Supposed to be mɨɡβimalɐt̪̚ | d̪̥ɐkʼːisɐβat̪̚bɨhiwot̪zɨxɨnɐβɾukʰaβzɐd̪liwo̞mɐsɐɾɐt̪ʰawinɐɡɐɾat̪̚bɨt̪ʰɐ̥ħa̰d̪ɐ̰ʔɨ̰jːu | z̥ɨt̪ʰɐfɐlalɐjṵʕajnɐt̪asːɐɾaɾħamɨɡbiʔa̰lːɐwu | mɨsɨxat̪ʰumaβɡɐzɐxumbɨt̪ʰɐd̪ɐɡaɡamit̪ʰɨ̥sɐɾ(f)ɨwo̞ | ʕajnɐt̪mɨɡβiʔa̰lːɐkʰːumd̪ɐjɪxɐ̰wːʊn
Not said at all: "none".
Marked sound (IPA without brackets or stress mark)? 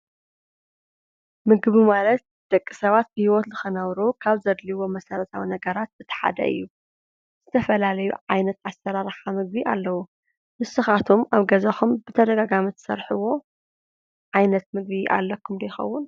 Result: ħ